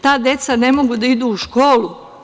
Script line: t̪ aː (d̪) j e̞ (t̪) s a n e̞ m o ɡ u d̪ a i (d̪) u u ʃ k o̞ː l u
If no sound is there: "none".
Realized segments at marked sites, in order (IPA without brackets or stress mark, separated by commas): d̪, t̪, d̪